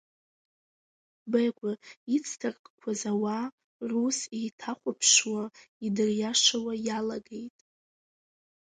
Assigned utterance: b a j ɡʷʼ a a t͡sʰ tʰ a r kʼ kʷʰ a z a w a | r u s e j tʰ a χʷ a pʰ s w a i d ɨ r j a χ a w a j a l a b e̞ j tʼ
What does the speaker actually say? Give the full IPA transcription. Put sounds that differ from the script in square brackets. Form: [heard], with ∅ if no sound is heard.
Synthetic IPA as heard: b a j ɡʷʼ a [i] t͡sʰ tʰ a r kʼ kʷʰ a z a w a | r u s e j tʰ a χʷ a pʰ [ʂ] w a i d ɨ r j a [ʂ] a w a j a l a [ɡ] e̞ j tʼ

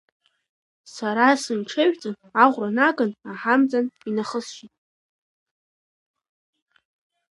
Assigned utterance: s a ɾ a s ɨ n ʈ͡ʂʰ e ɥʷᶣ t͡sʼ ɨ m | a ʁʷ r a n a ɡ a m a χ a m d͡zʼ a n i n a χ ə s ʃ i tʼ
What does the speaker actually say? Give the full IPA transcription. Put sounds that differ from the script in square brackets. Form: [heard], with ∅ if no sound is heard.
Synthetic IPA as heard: s a ɾ a s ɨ n ʈ͡ʂʰ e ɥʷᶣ t͡sʼ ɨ [n] | a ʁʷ r a n a ɡ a [n] a [ħ] a m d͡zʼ a n i n a χ ə s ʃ i tʼ

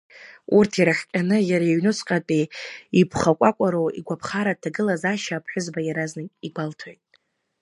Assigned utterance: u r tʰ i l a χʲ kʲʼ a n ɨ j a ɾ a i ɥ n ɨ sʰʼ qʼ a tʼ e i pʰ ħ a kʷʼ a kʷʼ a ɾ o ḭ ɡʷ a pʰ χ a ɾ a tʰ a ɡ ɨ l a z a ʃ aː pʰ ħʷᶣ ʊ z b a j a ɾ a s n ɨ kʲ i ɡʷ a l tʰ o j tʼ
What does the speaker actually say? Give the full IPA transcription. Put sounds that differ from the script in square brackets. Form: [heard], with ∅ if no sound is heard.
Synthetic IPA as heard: u r tʰ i [ɾ] a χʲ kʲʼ a n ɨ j a ɾ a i ɥ n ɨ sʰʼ qʼ a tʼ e i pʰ [χ] a kʷʼ a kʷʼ a ɾ o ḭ ɡʷ a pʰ χ a ɾ a tʰ a ɡ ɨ l a z a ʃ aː pʰ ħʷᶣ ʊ z b a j a ɾ a [z] n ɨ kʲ i ɡʷ a l tʰ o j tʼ

